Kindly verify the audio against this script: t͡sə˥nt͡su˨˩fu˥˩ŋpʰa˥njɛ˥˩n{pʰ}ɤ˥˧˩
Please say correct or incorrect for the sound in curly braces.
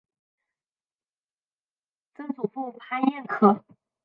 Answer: incorrect